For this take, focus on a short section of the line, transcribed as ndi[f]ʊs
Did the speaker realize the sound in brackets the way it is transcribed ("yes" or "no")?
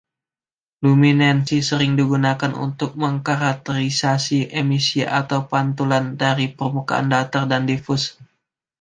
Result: yes